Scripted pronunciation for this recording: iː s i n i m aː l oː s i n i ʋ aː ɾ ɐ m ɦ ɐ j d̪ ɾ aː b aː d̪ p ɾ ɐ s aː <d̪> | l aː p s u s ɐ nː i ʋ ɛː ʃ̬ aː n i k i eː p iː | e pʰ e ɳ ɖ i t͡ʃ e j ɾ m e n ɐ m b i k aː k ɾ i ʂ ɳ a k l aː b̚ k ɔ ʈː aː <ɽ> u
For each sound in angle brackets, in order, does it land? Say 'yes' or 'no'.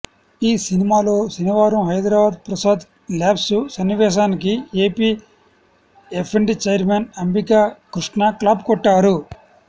yes, no

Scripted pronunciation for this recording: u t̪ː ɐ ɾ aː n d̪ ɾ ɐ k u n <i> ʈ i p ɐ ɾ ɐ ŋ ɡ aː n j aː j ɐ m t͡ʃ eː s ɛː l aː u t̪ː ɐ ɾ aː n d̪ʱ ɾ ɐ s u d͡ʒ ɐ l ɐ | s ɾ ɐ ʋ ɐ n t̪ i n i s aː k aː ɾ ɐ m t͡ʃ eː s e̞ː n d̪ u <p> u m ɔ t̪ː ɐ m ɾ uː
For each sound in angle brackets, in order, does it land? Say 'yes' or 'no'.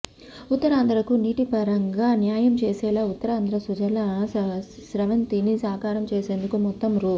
no, no

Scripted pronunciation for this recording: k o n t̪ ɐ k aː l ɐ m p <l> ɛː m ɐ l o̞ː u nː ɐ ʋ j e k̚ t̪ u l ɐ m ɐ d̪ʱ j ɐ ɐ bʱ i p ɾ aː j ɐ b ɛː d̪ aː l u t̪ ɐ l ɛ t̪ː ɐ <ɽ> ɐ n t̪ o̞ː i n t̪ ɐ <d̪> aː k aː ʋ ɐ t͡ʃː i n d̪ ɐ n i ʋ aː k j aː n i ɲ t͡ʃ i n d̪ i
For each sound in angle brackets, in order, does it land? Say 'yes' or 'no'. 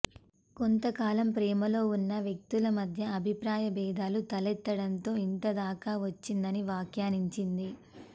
no, yes, yes

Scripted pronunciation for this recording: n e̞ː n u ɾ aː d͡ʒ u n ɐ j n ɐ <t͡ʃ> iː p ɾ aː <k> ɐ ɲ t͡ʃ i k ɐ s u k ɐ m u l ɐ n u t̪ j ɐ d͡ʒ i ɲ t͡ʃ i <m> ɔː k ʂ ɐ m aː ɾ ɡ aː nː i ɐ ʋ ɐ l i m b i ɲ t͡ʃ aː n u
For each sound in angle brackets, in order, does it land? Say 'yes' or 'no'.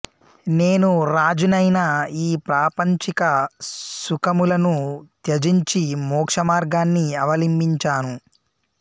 no, no, yes

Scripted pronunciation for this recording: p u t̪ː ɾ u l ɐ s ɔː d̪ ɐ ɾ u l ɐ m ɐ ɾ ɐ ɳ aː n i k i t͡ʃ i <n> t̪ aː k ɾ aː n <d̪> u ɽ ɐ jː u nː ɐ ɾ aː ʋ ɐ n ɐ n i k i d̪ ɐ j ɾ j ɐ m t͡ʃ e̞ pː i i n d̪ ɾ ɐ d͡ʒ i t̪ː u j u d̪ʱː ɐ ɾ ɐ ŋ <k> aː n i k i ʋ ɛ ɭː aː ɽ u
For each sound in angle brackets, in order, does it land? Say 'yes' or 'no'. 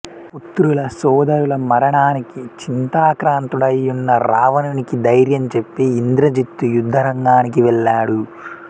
yes, no, no

